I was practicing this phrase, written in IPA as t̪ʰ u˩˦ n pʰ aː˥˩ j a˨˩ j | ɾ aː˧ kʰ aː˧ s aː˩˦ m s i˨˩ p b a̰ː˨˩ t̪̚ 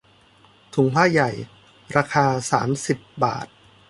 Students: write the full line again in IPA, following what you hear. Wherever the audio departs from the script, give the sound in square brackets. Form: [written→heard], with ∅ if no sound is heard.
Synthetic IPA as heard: t̪ʰ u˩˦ [n→ŋ] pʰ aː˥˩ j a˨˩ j | ɾ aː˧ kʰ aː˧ s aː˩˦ m s i˨˩ p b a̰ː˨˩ t̪̚